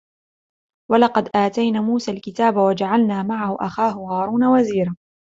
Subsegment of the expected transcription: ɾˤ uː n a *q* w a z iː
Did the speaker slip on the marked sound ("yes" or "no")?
yes